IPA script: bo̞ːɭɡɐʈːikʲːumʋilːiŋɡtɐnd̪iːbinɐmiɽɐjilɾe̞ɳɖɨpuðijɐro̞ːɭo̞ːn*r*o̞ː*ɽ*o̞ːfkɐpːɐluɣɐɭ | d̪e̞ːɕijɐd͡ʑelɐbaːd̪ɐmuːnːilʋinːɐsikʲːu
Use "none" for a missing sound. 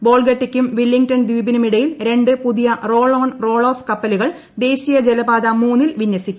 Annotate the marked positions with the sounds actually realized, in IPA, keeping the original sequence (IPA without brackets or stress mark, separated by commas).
r, ɭ